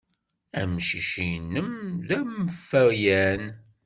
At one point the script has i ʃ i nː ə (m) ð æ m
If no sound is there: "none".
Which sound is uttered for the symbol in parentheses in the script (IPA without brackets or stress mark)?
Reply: m